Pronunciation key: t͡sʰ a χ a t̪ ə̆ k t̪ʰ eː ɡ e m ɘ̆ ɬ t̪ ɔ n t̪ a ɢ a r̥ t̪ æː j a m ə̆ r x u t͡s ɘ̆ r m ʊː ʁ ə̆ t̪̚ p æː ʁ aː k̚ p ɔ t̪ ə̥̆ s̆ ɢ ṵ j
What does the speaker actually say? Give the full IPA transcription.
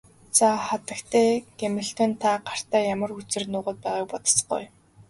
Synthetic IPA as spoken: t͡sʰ a χ a t̪ ə̆ k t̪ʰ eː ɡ e m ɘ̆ ɬ t̪ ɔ n t̪ʰ a ɢ a r̥ t̪ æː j a m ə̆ r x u t͡s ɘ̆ r n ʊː ʁ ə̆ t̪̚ p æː ʁ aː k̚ p ɔ t̪ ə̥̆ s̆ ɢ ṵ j